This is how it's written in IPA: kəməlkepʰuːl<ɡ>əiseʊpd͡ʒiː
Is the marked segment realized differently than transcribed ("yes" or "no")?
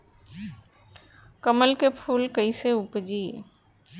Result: yes